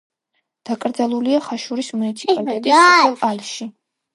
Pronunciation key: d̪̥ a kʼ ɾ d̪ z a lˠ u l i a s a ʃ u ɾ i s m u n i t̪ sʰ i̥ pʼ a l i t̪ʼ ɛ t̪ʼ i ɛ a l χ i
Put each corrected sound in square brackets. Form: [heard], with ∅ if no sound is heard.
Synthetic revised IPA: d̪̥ a kʼ ɾ d̪ z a lˠ u l i a [χ] a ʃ u ɾ i s m u n i t̪ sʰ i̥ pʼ a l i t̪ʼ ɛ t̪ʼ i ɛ a l [ʃ] i